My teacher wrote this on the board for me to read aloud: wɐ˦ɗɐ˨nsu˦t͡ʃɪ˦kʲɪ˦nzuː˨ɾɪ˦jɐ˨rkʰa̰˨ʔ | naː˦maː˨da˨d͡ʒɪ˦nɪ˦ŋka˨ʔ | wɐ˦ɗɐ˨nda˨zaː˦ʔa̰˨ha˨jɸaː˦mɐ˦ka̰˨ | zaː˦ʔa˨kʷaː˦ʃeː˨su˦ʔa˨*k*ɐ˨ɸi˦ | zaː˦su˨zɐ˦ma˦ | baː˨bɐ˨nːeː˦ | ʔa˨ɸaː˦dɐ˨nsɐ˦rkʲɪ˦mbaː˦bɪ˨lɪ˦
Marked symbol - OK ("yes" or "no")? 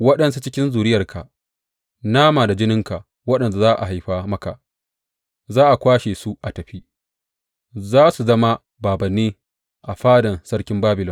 no